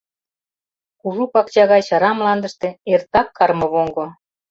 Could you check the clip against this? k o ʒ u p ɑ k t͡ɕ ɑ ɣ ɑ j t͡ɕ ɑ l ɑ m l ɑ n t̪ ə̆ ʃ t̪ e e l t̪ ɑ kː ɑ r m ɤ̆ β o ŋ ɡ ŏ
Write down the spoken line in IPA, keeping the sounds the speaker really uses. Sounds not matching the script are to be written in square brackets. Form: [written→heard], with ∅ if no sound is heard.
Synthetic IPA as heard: k [o→u] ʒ u p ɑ k t͡ɕ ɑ ɣ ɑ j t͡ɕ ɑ [l→ɾ] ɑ m l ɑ n [t̪→d̪] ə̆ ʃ t̪ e e [l→r] t̪ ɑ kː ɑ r m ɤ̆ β o ŋ ɡ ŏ